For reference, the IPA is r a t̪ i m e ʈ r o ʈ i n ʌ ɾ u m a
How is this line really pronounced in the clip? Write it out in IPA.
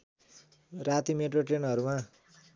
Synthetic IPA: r a t̪ i m e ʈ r o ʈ e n ʌ ɾ u m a